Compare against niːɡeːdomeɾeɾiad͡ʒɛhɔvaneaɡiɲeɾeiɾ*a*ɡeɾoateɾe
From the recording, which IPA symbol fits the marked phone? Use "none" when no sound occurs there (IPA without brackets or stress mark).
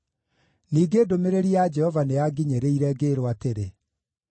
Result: ɛ